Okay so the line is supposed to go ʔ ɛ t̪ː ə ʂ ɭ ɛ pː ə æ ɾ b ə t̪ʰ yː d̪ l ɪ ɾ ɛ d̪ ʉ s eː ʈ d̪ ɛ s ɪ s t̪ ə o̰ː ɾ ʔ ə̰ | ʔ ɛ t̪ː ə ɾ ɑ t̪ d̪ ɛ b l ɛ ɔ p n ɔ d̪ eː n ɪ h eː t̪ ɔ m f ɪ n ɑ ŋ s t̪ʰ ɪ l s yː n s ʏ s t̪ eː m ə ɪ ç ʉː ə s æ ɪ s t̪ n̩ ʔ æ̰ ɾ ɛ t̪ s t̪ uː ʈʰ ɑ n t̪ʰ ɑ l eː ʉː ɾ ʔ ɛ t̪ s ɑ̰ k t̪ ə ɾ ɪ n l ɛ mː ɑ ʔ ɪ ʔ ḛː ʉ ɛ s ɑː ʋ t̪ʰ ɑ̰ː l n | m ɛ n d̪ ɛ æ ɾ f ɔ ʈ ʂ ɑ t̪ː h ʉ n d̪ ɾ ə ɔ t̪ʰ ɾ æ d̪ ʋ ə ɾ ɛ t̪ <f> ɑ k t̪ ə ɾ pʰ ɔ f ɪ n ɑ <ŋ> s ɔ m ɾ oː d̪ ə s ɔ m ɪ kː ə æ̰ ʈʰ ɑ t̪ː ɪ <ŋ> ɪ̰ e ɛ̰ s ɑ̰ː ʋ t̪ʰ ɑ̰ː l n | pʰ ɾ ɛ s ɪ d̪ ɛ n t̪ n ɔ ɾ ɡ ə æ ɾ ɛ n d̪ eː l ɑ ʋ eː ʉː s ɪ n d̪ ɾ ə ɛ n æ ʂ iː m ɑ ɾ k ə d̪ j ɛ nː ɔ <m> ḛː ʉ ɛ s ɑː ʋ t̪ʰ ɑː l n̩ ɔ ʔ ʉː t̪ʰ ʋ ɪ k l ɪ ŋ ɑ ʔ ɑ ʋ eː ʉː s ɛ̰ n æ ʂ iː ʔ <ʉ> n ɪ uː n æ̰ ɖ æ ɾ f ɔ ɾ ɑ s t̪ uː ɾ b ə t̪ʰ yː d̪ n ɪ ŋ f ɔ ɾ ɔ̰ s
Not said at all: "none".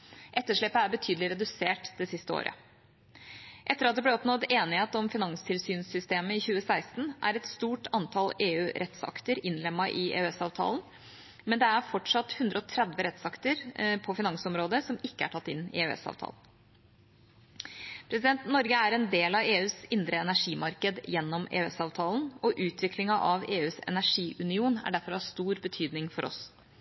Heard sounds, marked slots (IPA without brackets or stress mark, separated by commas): s, ŋ, n, m, ʉ